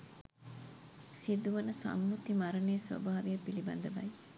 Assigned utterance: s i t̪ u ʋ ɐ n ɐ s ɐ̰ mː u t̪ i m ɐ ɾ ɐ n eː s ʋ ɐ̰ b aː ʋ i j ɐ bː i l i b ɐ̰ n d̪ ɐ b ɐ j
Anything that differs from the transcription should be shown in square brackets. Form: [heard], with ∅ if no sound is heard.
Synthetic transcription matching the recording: s i [d̪] u ʋ ɐ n ɐ s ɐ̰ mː u t̪ i m ɐ ɾ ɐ n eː s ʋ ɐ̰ b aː ʋ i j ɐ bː i l i b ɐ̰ n d̪ ɐ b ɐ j